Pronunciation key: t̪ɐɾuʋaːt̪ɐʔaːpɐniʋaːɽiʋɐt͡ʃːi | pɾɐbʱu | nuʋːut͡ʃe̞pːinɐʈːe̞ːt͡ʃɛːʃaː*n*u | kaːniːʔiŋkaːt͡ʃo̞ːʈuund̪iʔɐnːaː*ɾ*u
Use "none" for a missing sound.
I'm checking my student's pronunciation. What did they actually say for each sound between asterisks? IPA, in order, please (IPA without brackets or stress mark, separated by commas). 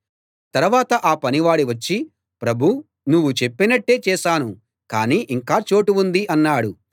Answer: n, ɽ